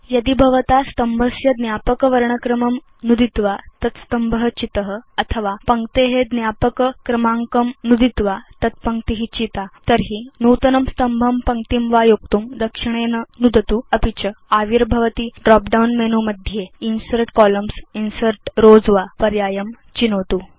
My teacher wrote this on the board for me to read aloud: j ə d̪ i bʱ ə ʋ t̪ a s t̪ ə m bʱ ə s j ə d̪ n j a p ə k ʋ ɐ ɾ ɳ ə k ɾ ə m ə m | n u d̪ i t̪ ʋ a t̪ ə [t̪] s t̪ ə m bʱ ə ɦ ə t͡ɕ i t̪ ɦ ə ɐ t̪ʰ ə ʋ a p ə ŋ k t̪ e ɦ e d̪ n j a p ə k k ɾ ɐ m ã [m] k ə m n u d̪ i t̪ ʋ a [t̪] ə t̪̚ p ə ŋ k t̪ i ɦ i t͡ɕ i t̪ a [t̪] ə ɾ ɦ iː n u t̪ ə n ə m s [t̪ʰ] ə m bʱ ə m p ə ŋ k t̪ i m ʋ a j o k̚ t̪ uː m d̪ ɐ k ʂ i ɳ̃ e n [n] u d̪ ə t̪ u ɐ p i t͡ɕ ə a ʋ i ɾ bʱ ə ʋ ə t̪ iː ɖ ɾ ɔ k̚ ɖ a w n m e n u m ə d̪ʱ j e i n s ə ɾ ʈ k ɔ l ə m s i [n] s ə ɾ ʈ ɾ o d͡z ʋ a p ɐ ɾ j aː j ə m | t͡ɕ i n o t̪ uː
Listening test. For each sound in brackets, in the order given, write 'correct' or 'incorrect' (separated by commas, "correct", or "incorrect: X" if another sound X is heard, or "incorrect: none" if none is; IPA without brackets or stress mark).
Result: correct, incorrect: ŋ, correct, correct, incorrect: t̪, correct, correct